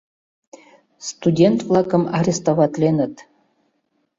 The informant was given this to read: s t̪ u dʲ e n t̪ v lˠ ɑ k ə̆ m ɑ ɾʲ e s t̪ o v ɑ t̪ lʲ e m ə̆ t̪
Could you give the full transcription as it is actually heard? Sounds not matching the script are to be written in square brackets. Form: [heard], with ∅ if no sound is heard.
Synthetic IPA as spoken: s t̪ u dʲ e n t̪ v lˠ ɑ k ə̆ m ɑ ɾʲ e s t̪ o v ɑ t̪ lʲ e [n] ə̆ t̪